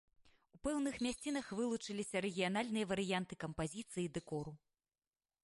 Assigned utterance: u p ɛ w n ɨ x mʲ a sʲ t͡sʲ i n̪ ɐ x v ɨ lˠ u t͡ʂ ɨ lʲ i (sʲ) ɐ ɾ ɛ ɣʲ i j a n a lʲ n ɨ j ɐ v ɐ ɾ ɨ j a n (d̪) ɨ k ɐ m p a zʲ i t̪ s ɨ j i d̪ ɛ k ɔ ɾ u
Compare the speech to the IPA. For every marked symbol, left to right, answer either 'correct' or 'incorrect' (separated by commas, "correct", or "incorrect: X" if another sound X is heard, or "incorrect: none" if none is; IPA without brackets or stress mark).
correct, incorrect: t̪